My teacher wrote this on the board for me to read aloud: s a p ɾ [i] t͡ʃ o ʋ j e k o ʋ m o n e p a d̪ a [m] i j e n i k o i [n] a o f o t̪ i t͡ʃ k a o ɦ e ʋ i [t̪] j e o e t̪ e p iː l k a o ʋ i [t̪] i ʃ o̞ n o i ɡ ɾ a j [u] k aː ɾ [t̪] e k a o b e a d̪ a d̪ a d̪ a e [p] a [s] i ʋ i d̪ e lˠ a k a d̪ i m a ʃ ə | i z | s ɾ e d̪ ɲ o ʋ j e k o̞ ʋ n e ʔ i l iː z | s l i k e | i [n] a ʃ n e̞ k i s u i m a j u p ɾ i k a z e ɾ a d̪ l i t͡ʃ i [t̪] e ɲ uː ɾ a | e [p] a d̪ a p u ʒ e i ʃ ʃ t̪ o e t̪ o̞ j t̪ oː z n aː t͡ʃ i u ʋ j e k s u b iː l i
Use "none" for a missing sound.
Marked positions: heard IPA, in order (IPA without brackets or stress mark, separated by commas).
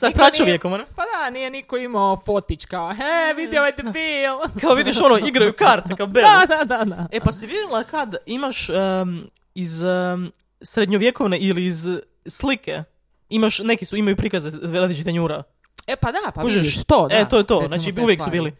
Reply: a, n, m, d̪, d̪, u, t̪, p, s, m, t̪, p